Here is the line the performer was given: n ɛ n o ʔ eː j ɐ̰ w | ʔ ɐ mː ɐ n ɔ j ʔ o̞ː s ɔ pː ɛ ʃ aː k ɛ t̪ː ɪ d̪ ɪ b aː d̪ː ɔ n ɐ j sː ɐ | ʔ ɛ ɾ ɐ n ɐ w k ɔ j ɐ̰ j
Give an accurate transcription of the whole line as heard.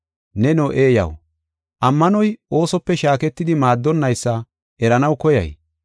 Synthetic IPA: n ɛ n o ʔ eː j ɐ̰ w | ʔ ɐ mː ɐ n ɔ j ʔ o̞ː s ɔ pː ɛ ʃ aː k ɛ t̪ː ɪ d̪ ɪ m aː d̪ː ɔ nː ɐ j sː ɐ | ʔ ɛ ɾ ɐ n ɐ w k ɔ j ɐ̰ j